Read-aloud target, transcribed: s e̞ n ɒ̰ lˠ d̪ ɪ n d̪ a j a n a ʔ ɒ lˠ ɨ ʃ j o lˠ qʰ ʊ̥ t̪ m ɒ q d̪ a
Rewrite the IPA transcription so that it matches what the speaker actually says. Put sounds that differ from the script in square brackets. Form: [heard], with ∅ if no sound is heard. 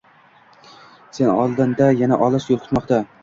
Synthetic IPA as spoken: s e̞ n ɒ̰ lˠ d̪ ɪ n d̪ a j a n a ʔ ɒ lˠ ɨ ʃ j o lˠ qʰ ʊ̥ t̪ m ɒ q [t̪] a